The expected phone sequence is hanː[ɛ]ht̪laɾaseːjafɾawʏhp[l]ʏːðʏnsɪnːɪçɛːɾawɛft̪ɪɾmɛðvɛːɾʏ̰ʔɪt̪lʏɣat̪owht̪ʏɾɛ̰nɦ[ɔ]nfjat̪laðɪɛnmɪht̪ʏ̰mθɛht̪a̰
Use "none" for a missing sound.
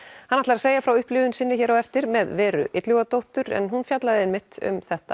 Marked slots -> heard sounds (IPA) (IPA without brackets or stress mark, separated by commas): a, l, u